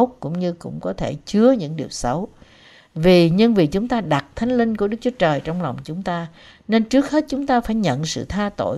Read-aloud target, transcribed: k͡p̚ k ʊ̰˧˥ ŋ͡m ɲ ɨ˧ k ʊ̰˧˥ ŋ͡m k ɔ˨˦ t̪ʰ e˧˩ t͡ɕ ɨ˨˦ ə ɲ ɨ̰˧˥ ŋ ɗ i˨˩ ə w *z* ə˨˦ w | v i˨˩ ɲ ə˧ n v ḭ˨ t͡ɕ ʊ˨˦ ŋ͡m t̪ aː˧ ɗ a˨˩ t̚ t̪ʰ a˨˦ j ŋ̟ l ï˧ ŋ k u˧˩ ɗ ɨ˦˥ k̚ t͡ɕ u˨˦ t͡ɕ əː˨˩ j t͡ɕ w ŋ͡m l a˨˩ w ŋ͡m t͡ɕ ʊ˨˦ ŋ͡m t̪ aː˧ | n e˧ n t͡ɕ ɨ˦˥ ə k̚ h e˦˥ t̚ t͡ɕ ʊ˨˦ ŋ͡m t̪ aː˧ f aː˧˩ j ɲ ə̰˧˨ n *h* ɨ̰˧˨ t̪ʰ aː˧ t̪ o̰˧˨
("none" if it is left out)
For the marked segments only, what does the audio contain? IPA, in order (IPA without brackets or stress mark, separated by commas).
s, s